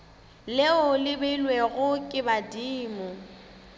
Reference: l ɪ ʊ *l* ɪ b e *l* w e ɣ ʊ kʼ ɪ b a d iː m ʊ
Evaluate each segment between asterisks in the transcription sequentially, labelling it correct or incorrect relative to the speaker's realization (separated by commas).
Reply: correct, correct